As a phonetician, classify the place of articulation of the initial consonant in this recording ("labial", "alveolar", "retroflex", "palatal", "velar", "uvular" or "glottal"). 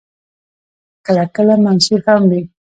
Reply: velar